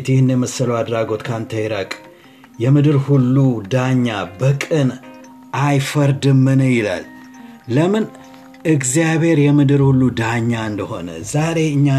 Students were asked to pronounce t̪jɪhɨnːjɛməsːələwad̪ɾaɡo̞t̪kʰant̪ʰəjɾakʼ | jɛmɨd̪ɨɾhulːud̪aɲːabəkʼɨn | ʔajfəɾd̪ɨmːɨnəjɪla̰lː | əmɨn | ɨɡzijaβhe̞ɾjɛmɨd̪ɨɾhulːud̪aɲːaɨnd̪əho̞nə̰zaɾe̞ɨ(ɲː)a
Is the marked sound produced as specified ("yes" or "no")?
yes